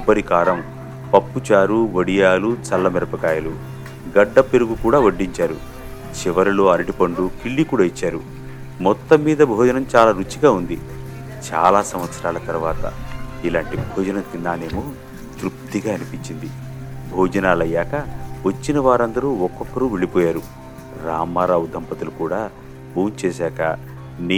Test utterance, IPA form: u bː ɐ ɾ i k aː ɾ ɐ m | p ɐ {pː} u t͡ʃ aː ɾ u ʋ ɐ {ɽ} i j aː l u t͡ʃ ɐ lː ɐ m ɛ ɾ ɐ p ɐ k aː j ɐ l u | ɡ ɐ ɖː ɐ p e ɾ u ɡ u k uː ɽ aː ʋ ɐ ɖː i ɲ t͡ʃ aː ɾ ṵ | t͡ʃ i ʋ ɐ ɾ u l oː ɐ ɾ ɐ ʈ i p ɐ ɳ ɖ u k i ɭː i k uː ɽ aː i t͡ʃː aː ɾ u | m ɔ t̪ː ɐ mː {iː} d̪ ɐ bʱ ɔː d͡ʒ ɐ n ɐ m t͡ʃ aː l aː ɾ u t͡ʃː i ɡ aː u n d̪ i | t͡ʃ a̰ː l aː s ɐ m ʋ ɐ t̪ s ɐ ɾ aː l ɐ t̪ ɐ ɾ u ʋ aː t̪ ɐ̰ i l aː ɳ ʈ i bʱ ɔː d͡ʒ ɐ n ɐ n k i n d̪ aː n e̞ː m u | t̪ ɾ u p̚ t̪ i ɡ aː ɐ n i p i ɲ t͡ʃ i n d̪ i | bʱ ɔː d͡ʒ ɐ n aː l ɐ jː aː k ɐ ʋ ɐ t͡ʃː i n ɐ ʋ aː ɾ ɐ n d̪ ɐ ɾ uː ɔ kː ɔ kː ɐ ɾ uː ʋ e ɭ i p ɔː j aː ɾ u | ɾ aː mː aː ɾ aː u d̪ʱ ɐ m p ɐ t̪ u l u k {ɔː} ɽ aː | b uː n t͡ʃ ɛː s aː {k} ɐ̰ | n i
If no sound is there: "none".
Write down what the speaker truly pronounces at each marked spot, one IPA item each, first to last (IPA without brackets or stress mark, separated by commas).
pː, ɽ, iː, uː, k